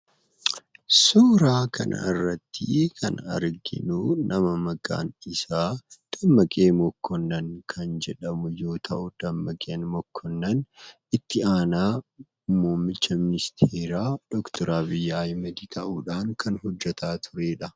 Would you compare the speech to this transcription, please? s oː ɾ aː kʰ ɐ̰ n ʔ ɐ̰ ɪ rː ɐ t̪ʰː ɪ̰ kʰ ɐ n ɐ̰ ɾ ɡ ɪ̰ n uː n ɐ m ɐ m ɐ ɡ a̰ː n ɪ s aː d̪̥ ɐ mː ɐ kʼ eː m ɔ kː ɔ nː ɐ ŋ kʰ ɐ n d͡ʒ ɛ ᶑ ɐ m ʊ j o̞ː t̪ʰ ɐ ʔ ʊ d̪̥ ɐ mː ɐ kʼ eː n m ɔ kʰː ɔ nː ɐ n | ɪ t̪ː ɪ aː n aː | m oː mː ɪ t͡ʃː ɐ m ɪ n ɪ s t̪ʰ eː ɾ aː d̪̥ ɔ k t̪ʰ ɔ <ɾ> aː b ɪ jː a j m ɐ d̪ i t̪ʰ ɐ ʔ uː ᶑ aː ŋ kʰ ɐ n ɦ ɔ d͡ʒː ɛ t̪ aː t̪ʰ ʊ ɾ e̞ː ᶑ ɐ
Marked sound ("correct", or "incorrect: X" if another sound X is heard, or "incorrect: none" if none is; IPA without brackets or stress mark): correct